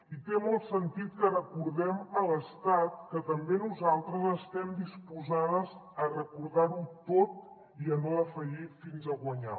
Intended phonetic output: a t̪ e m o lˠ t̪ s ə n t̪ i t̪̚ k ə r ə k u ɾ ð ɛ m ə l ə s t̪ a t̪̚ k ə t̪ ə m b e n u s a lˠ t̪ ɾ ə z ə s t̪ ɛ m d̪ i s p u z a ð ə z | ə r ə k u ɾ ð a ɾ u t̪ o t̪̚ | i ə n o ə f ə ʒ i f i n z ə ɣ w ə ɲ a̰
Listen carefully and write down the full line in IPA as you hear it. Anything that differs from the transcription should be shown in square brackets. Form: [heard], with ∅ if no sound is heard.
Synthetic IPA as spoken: [i] t̪ e m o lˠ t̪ s ə n t̪ i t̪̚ k ə r ə k u ɾ ð ɛ m ə l ə s t̪ a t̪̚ k ə t̪ ə m b e n u [z] a lˠ t̪ ɾ ə z ə s t̪ ɛ m d̪ i s p u z a ð ə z | ə r ə k u ɾ ð a ɾ u t̪ o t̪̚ | i ə n o ə f ə ʒ i f i n z ə ɣ w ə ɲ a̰